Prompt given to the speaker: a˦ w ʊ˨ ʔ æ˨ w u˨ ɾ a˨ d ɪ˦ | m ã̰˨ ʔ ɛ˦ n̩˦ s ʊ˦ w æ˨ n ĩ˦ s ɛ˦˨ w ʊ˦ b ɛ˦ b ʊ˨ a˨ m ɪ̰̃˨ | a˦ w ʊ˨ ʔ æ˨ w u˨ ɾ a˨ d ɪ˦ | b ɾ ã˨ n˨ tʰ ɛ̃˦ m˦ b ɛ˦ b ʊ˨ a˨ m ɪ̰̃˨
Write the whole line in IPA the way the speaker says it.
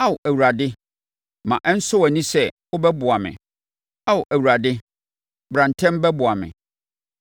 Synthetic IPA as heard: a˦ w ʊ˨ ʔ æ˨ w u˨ ɾ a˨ d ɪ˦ | m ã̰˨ ʔ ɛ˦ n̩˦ s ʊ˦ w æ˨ n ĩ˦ s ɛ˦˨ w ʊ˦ b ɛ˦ b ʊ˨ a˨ m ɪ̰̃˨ | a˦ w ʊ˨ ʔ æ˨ w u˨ ɾ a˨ d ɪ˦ | b ɾ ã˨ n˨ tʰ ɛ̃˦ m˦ b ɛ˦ b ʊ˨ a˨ m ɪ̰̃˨